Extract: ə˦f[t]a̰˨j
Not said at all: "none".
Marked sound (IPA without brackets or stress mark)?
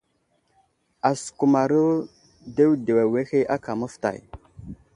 t